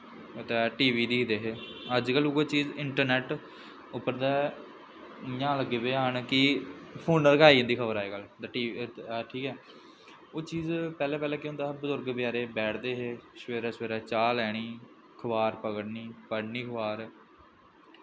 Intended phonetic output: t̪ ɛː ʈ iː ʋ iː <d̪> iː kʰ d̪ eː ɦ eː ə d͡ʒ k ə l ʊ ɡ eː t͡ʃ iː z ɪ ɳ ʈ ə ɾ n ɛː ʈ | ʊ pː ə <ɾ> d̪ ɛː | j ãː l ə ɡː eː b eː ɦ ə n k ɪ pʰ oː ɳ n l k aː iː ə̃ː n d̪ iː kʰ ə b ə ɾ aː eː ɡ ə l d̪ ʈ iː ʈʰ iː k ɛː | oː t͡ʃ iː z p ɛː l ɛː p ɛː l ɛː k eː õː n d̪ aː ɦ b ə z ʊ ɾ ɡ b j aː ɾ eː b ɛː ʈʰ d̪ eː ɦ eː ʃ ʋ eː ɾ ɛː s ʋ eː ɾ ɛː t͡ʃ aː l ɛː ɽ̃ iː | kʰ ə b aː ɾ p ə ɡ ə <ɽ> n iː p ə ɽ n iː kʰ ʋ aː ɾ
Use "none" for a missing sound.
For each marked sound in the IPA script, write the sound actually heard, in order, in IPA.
d̪, ɾ, ɽ

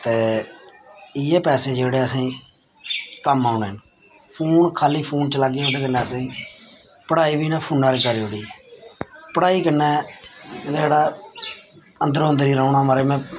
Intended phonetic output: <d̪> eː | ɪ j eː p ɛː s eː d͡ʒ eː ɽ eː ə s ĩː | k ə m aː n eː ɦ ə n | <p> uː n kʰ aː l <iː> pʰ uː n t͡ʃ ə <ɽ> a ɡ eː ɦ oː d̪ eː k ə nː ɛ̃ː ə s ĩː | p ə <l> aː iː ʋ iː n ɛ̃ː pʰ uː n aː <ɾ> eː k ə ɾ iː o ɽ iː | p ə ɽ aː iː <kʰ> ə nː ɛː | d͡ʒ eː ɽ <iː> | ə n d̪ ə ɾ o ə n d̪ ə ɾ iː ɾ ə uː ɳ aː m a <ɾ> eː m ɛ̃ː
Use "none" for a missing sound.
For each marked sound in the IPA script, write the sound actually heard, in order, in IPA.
t̪, pʰ, iː, l, ɽ, ɾ, k, aː, ɾ

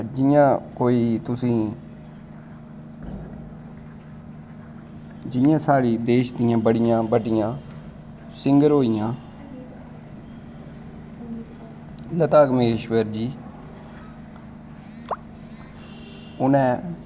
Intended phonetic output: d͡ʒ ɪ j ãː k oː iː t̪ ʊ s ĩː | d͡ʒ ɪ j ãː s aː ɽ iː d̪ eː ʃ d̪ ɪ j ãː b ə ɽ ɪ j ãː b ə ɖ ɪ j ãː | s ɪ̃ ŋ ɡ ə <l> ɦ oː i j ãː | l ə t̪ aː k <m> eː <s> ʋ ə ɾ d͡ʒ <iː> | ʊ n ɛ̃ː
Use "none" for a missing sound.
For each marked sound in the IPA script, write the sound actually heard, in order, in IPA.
ɾ, m, ʃ, iː

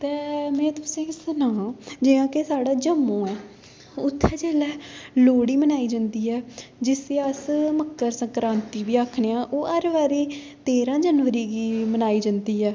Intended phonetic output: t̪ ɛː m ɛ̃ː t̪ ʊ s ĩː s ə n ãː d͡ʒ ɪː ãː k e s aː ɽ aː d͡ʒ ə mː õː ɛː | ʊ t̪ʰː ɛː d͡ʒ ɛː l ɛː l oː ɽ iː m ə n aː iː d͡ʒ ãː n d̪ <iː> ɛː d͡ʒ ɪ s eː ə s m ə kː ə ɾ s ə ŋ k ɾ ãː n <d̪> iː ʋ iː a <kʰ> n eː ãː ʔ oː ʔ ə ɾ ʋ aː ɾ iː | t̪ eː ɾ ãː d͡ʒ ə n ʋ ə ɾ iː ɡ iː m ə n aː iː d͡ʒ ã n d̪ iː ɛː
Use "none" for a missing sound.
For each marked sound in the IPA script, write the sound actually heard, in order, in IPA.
iː, t̪, kʰ

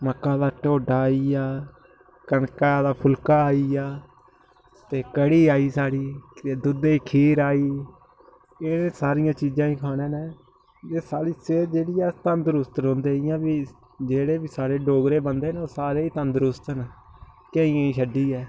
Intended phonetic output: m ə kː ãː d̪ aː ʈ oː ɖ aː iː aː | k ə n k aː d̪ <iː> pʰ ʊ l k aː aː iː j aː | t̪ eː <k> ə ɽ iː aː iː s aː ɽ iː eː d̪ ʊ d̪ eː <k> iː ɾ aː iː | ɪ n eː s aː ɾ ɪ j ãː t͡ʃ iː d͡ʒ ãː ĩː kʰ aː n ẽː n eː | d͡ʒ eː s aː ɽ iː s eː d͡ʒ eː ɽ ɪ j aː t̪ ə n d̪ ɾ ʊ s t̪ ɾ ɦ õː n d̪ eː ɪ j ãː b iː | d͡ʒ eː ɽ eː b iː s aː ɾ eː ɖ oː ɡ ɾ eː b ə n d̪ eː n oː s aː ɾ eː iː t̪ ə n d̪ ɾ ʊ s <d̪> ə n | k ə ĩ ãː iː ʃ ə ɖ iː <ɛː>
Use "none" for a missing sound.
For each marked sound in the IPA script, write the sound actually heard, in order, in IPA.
aː, k, kʰ, t̪, ɛː

